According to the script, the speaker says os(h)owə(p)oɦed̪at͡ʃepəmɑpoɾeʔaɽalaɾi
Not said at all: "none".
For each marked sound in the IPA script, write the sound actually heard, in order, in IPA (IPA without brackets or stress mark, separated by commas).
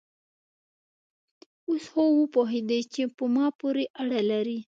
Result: h, p